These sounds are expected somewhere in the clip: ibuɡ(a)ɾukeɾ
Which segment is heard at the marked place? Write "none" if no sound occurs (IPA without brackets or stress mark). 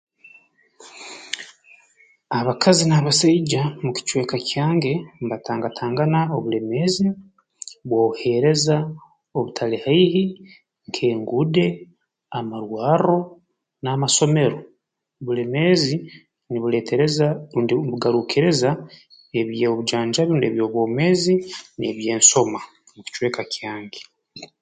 a